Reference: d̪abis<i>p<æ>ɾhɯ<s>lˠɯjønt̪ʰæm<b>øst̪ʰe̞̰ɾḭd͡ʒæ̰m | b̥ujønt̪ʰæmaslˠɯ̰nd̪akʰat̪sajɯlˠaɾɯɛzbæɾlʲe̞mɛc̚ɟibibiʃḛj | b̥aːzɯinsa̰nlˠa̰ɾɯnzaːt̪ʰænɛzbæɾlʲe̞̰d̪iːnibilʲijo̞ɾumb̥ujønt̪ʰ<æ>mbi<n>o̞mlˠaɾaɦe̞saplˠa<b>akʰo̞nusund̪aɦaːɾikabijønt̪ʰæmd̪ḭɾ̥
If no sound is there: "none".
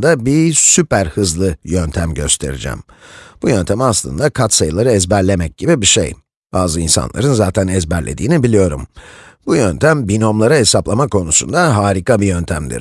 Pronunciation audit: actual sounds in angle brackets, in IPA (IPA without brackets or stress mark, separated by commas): y, æ, z, ɟ, æ, n, m